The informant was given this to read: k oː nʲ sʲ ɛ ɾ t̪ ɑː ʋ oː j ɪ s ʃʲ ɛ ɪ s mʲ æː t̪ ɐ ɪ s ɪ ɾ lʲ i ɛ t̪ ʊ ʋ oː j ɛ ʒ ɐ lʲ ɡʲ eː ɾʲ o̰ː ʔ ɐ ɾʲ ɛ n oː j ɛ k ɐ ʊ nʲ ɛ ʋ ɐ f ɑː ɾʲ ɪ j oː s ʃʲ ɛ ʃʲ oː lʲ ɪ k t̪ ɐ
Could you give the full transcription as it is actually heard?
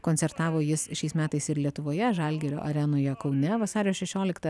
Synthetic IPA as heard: k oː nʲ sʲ ɛ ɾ t̪ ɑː ʋ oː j ɪ s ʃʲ ɛ ɪ s mʲ æː t̪ ɐ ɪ s ɪ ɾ lʲ i ɛ t̪ ʊ ʋ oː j ɛ ʒ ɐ lʲ ɡʲ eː ɾʲ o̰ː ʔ ɐ ɾʲ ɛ n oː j ɛ k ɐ ʊ nʲ ɛ ʋ ɐ s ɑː ɾʲ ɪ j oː s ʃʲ ɛ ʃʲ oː lʲ ɪ k t̪ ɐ